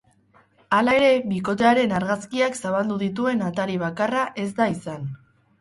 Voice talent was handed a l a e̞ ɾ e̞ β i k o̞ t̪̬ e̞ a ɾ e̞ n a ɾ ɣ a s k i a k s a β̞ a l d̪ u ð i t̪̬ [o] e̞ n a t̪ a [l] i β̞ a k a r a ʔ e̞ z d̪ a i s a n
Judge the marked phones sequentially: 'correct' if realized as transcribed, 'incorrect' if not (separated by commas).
incorrect, incorrect